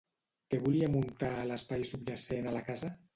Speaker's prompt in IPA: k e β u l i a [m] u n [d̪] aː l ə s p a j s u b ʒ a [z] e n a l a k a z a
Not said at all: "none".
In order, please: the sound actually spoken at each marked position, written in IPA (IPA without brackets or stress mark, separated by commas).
m, t̪, s